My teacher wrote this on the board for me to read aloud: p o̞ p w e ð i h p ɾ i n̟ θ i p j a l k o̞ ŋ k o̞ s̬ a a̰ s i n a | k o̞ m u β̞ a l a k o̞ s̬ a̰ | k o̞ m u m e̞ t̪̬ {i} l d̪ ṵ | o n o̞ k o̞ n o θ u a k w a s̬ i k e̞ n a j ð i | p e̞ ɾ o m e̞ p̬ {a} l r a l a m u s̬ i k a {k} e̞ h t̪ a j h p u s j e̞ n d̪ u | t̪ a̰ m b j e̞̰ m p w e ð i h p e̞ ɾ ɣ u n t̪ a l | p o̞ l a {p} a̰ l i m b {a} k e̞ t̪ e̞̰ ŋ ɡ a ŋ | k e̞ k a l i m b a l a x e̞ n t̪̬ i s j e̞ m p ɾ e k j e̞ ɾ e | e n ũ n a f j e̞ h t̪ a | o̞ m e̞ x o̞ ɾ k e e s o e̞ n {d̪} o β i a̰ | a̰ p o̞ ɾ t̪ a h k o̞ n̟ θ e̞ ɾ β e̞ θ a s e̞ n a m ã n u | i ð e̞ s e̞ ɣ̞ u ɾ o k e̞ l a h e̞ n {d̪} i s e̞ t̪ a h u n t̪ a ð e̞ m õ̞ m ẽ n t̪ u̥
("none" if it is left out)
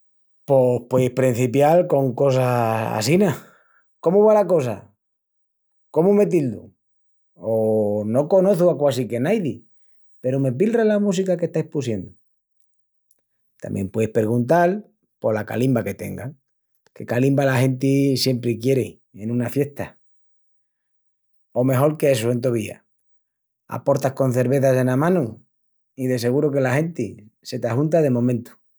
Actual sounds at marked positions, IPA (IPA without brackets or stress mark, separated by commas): i, i, k, k, a, t̪, t̪